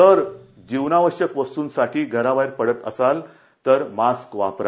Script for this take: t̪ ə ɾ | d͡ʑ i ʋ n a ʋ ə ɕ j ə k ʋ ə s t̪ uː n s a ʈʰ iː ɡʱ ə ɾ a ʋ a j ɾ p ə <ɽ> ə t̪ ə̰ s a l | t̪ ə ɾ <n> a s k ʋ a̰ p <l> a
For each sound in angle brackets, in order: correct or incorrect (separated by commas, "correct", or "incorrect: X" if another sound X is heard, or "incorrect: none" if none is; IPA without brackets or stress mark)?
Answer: correct, incorrect: m, incorrect: ɾ